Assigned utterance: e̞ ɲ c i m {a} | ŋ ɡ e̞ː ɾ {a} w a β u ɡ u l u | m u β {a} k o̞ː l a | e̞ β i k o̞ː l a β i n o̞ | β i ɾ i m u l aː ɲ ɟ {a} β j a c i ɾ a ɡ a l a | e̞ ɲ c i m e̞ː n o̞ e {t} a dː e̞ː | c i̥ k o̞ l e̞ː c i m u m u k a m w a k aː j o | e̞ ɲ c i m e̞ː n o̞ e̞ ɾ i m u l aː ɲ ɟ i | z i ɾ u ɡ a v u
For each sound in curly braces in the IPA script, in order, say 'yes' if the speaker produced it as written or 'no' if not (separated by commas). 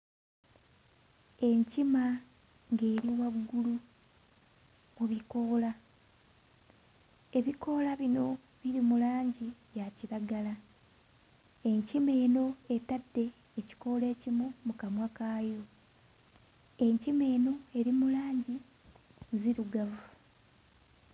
yes, no, no, no, yes